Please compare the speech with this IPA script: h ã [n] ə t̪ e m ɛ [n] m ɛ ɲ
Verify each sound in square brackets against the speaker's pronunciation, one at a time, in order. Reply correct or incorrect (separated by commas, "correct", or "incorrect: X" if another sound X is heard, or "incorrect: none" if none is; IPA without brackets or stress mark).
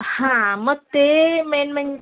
incorrect: m, correct